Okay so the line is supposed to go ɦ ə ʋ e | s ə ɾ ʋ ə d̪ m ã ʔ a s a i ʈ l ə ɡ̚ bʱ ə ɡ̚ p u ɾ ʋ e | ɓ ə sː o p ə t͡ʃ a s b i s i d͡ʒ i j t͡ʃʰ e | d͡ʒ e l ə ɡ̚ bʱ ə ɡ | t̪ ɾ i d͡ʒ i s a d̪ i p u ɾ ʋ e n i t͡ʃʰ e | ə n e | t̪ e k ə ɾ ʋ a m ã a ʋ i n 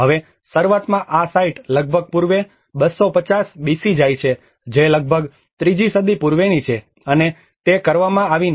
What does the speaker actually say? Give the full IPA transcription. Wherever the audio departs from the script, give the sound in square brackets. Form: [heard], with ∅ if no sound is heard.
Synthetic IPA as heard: ɦ ə ʋ e | s ə ɾ ʋ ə [t̪] m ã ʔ a s a i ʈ l ə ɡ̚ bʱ ə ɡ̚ p u ɾ ʋ e | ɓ ə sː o p ə t͡ʃ a s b i s i d͡ʒ [a] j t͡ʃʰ e | d͡ʒ e l ə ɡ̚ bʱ ə ɡ | t̪ ɾ i d͡ʒ i s [ə] d̪ i p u ɾ ʋ e n i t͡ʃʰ e | ə n e | t̪ e k ə ɾ ʋ a m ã a ʋ i n